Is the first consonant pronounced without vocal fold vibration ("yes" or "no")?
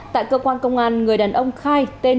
yes